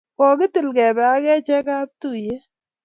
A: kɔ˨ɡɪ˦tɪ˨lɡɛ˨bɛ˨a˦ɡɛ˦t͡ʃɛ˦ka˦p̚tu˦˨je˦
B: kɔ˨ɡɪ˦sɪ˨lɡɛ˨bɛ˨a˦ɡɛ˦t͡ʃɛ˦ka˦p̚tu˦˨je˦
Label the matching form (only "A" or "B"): A